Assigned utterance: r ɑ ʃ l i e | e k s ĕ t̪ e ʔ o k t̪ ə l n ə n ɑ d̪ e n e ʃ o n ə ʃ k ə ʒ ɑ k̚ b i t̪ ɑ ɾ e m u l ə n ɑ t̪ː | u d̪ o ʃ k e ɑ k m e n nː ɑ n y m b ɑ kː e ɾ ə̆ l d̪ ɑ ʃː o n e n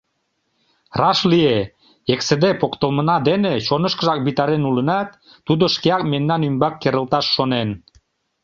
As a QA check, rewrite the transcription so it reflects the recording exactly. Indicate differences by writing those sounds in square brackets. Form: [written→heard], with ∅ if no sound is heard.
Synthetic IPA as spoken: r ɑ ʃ l i e | e k s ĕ [t̪→d̪] e [ʔ→p] o k t̪ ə l [n→m] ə n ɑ d̪ e n e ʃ o n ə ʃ k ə ʒ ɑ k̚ b i t̪ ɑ ɾ e [m→n] u l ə n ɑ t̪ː | u d̪ o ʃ k e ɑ k m e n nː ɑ n y m b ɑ kː e ɾ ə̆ l [d̪→t̪] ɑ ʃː o n e n